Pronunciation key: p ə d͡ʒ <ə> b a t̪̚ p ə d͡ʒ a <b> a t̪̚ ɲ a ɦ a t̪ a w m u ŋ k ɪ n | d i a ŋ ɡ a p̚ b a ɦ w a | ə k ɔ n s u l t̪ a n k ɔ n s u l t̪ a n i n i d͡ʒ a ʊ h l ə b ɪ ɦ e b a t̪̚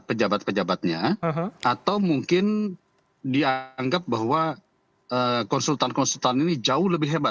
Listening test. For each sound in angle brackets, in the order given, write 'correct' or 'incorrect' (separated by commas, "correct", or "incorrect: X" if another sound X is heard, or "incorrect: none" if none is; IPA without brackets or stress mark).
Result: incorrect: a, correct